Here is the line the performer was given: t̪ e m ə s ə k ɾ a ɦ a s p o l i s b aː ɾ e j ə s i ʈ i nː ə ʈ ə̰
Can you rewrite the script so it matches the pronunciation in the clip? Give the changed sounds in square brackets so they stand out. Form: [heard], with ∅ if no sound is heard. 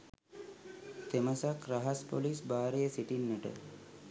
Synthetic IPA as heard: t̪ e m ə s [a] k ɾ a ɦ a s p o l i s b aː ɾ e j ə s i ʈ i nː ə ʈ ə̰